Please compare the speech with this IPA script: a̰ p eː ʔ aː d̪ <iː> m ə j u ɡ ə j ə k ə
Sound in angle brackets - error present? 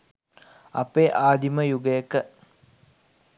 yes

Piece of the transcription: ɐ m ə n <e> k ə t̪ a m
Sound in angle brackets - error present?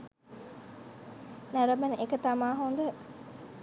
no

